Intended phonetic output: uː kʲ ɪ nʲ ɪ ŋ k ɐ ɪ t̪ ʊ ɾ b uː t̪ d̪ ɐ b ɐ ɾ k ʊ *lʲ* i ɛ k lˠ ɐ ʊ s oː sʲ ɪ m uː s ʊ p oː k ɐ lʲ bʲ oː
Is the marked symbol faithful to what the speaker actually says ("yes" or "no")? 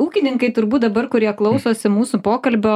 no